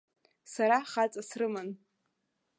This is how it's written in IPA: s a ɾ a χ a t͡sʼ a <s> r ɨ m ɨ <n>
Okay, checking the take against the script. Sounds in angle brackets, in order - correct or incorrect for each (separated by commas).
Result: correct, correct